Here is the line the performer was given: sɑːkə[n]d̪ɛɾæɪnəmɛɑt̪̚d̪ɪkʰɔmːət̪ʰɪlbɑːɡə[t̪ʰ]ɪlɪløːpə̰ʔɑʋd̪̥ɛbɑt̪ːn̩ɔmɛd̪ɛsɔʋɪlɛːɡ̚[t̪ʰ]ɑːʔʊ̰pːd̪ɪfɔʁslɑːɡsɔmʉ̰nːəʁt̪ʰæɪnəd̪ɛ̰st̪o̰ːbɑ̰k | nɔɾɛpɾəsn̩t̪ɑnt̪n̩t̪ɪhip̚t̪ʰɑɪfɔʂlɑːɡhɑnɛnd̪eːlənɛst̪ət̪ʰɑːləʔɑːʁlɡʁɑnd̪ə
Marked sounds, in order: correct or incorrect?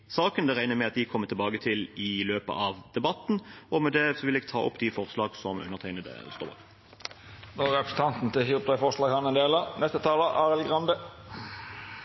correct, correct, correct

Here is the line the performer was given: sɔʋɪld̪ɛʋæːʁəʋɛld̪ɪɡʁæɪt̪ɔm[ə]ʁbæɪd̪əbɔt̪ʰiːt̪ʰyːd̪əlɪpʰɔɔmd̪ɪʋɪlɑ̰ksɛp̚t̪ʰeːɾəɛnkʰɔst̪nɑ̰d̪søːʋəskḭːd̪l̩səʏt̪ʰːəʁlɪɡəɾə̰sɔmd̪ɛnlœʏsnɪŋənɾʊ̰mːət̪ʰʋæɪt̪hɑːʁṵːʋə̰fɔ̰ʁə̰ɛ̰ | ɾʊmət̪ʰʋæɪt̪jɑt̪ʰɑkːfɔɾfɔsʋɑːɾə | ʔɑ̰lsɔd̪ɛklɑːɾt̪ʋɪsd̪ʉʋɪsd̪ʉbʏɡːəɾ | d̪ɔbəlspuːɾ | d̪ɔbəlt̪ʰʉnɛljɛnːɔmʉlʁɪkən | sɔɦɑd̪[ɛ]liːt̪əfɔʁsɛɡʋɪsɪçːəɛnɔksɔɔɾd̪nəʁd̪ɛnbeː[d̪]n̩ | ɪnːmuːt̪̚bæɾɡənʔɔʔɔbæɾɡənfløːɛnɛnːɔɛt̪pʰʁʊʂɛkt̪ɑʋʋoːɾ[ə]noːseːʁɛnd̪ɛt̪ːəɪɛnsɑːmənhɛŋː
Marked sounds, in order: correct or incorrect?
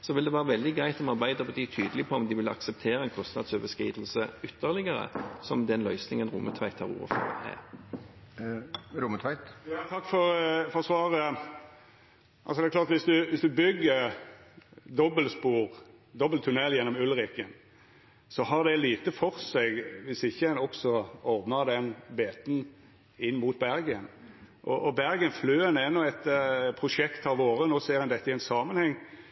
incorrect: ɑ, correct, incorrect: t̪, correct

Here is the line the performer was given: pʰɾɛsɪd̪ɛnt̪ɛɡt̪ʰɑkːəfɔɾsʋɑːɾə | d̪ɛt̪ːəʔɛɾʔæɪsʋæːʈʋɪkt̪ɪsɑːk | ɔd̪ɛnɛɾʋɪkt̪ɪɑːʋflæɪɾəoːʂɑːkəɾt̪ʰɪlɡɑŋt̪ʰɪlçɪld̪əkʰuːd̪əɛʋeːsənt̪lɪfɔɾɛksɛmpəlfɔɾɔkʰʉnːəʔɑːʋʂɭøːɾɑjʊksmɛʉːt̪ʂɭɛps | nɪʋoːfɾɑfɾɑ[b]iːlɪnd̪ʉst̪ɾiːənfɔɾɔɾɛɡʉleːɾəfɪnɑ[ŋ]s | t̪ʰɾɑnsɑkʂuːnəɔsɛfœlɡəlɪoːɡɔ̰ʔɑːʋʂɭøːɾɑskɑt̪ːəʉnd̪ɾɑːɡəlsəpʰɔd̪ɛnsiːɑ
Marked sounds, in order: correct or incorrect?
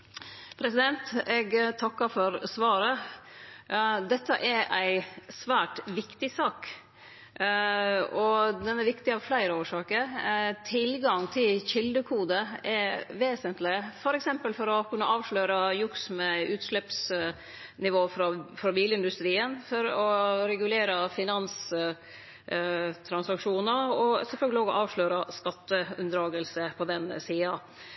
correct, incorrect: n

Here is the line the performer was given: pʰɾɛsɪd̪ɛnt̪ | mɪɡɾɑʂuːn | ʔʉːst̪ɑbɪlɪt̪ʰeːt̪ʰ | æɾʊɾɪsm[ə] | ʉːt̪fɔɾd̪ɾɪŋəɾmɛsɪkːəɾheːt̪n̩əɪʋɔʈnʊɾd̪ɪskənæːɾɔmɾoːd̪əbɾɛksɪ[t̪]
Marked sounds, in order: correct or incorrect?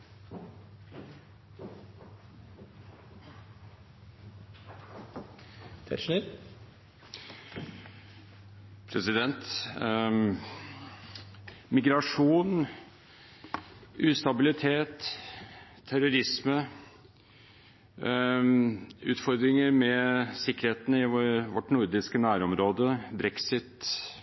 correct, correct

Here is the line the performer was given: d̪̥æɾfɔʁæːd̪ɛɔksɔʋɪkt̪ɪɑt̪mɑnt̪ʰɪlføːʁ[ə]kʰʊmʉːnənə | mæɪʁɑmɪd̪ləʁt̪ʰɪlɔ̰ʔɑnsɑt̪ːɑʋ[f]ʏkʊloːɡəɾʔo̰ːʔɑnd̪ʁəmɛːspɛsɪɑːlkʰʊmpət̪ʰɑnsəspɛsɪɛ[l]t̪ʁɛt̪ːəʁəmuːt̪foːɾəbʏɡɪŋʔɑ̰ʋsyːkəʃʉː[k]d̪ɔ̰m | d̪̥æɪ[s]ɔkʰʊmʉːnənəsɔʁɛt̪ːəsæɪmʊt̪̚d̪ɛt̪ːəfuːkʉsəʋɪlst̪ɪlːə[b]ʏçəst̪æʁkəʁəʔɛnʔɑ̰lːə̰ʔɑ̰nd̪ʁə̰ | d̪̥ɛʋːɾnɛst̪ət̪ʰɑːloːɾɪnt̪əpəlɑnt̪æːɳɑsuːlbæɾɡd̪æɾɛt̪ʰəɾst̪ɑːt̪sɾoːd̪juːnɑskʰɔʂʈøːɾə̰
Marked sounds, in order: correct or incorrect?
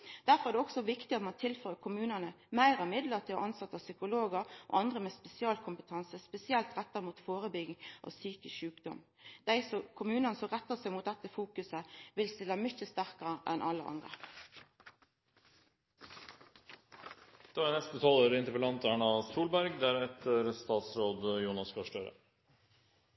correct, incorrect: s, correct, correct, correct, incorrect: m

